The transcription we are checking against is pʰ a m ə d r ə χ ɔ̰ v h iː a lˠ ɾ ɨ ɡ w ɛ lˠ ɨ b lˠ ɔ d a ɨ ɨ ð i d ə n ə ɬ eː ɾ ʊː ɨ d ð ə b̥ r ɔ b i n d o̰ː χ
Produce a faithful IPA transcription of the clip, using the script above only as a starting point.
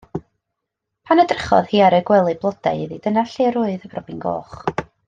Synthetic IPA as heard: pʰ a n ə d r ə χ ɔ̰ ð h iː a ɾ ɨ ɡ w ɛ lˠ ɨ b lˠ ɔ d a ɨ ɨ ð i d ə n a ɬ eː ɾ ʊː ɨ ð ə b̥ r ɔ b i n ɡ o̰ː χ